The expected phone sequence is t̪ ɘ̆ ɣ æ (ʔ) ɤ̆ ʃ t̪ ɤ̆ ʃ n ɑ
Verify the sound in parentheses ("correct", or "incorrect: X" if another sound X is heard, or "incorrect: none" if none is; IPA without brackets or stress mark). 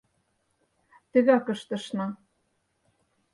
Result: incorrect: k